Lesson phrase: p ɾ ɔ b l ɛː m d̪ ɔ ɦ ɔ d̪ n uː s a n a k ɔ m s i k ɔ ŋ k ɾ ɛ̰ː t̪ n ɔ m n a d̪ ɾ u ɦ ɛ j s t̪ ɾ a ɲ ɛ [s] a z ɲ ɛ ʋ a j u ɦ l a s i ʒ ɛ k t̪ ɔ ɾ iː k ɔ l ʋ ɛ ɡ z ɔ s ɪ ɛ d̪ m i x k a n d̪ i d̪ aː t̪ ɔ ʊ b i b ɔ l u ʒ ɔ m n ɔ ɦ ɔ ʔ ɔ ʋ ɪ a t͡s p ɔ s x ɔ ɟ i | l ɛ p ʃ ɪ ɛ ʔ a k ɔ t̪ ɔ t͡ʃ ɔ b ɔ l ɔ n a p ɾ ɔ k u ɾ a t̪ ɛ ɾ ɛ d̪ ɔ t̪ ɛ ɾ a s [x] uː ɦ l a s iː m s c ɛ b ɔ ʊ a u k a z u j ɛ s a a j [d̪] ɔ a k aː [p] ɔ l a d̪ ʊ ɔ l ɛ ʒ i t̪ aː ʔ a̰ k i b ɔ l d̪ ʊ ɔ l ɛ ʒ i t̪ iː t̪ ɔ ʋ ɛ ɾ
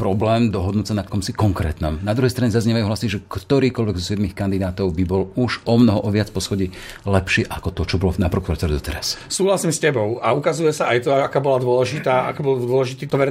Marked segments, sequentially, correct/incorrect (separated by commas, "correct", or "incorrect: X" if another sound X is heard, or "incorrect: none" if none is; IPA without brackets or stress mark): incorrect: z, incorrect: s, incorrect: t̪, incorrect: b